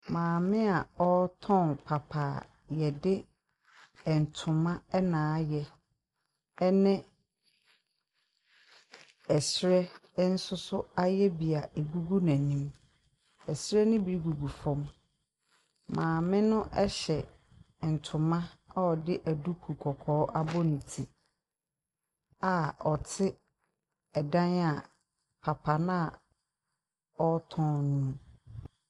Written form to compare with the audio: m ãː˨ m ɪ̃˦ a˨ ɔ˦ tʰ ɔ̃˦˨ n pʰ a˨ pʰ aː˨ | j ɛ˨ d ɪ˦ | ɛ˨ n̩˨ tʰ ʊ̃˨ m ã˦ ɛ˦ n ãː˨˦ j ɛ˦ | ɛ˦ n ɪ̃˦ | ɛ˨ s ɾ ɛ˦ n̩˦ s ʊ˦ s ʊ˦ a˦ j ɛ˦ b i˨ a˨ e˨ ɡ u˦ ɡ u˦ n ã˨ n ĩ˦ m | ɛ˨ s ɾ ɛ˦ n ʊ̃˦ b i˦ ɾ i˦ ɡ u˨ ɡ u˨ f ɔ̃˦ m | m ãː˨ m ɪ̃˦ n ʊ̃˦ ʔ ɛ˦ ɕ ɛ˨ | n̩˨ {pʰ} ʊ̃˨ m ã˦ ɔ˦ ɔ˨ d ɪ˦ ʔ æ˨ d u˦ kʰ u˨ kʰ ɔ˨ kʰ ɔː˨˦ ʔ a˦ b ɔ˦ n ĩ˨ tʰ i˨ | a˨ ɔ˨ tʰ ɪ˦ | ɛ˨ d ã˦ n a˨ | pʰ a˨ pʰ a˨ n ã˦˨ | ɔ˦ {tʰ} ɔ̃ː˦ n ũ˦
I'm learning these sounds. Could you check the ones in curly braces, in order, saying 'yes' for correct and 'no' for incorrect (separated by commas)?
no, yes